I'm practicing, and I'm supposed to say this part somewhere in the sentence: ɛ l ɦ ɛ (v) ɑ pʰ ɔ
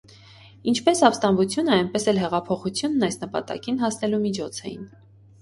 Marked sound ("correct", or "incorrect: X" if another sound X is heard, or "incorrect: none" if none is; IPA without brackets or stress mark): incorrect: ʁ